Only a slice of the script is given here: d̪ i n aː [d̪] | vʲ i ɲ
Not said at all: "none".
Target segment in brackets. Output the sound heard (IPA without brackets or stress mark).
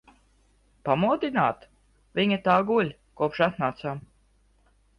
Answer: t̪